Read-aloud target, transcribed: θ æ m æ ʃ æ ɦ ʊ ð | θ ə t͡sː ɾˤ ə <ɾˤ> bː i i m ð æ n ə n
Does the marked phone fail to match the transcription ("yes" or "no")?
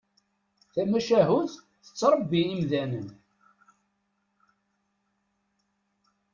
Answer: yes